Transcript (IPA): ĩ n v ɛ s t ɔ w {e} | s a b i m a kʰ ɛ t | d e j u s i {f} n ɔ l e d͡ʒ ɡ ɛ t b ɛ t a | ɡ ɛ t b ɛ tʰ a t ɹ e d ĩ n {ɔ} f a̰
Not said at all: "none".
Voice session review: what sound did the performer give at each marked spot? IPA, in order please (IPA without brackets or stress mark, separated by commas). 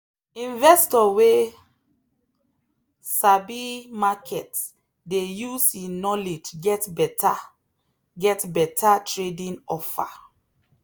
e, none, ɔ